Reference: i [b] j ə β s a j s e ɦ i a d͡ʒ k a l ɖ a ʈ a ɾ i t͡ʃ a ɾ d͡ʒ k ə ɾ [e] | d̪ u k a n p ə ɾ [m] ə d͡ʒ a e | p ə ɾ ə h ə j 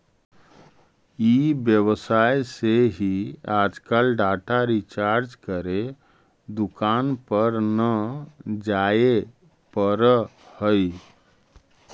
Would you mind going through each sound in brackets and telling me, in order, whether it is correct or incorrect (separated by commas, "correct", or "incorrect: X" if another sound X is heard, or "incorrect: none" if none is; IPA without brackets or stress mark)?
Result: correct, correct, incorrect: n